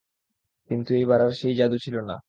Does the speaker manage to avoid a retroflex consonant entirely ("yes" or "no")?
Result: yes